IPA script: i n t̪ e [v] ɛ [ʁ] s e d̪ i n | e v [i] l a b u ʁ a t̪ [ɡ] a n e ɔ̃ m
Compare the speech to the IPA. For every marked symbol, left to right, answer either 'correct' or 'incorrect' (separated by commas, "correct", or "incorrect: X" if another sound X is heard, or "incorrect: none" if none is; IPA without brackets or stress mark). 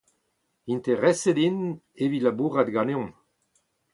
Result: incorrect: ʁ, incorrect: none, correct, correct